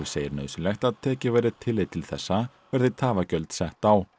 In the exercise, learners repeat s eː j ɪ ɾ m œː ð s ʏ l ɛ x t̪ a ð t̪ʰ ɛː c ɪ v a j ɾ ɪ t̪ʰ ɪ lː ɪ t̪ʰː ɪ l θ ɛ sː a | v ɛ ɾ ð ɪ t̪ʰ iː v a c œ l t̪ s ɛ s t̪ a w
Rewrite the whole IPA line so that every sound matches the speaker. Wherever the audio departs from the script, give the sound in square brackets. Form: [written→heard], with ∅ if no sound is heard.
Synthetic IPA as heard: s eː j ɪ ɾ [m→n] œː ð s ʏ l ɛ x t̪ a ð t̪ʰ ɛː c ɪ v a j ɾ ɪ t̪ʰ ɪ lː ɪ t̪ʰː ɪ l θ ɛ sː a | v ɛ ɾ ð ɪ t̪ʰ [iː→aː] v a c œ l t̪ s ɛ [s→h] t̪ a w